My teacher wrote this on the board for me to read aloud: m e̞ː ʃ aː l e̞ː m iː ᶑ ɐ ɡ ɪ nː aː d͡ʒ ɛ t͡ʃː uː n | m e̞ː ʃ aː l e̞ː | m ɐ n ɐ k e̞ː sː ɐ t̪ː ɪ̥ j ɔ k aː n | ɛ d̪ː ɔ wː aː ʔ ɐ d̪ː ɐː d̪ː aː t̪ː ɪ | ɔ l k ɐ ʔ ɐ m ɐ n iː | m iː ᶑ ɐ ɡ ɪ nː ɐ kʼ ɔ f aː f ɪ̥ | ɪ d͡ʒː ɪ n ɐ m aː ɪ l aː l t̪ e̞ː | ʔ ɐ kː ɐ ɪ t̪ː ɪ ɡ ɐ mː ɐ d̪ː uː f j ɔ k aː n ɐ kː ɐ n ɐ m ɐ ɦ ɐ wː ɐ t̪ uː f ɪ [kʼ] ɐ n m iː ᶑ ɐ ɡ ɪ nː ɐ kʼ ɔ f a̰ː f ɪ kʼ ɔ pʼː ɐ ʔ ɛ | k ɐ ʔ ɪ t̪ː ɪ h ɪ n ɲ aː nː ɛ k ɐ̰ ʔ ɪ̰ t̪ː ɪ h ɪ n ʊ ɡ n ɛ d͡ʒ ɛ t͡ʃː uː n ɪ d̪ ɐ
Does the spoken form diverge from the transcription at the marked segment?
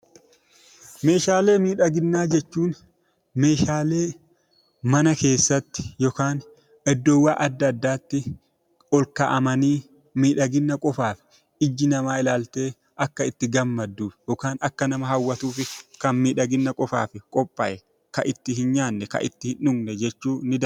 yes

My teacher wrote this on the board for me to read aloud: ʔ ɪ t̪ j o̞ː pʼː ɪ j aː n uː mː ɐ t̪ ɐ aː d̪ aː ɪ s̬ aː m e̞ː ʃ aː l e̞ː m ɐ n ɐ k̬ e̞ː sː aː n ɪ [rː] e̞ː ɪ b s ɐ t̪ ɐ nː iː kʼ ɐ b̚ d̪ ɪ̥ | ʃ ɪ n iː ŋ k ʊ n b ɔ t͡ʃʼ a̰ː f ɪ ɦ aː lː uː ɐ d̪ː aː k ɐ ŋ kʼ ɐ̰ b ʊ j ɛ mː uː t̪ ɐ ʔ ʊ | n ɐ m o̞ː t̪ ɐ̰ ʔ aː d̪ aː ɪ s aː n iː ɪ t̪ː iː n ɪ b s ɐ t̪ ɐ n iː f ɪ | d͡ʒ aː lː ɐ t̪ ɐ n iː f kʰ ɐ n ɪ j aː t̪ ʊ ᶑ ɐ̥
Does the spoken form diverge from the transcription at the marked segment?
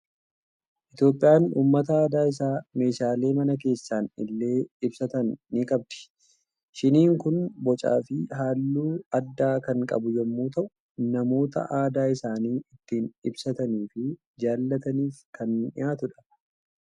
yes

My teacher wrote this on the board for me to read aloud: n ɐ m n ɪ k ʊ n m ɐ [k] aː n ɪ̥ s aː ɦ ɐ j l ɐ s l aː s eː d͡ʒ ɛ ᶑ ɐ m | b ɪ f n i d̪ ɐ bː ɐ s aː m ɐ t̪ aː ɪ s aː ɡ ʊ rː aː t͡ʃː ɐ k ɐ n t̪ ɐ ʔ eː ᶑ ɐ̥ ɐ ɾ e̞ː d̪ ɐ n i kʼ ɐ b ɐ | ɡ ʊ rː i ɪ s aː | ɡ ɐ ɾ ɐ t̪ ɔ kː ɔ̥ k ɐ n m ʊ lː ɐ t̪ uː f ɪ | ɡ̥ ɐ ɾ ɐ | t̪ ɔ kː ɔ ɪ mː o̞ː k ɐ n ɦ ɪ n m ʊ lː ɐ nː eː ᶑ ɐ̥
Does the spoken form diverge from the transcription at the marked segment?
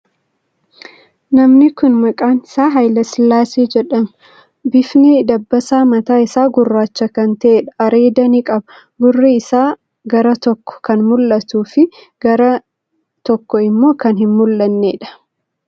yes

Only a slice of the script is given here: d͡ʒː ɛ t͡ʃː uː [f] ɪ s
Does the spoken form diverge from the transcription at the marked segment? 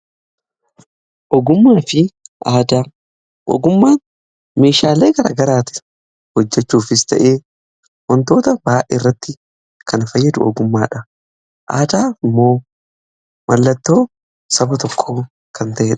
no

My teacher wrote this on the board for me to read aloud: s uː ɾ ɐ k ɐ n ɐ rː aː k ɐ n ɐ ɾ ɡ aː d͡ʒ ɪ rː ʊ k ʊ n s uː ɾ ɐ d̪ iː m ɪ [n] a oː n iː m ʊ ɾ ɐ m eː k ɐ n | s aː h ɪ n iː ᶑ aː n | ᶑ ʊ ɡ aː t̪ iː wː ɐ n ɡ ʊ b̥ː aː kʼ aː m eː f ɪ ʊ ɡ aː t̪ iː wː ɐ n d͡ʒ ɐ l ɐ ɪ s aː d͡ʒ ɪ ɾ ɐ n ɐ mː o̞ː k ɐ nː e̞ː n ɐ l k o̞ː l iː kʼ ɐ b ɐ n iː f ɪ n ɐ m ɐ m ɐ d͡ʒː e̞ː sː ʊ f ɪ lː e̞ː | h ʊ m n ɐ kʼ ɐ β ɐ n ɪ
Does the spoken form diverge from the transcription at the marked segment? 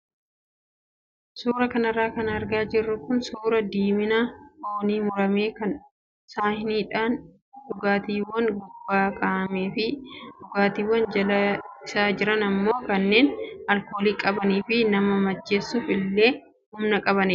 no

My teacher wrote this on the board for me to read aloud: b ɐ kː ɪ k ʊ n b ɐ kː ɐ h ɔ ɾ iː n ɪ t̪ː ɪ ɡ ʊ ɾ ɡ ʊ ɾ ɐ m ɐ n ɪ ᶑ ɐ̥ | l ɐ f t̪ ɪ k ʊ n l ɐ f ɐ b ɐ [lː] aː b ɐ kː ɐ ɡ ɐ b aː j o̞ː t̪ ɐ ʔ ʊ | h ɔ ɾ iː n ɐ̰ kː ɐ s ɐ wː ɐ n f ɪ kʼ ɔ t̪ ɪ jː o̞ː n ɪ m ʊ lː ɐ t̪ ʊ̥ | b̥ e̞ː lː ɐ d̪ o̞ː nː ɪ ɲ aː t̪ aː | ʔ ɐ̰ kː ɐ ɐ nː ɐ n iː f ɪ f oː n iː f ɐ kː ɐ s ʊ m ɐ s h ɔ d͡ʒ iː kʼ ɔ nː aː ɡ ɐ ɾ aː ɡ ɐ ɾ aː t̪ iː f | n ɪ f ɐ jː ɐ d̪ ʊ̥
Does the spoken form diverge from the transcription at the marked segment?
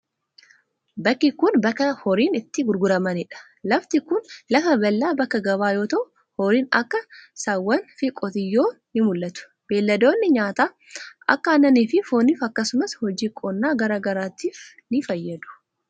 no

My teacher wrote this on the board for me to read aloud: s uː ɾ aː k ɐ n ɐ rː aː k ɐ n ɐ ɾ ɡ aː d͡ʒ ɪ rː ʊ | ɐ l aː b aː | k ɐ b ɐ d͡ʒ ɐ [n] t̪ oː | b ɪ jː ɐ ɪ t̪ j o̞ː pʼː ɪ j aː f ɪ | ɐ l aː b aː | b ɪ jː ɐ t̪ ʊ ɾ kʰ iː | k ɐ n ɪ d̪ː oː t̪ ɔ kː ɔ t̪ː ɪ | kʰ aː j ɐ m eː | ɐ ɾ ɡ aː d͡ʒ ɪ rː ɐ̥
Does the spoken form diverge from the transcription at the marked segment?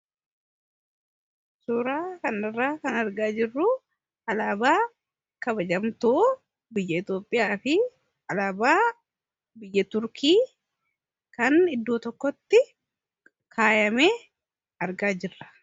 yes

